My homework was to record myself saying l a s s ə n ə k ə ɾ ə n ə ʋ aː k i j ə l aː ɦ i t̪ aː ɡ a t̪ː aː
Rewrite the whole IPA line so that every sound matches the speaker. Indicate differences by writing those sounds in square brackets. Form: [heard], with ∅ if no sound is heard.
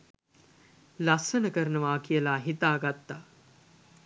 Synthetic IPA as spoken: l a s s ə n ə k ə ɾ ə n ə ʋ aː k i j ə l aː ɦ i t̪ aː ɡ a t̪ː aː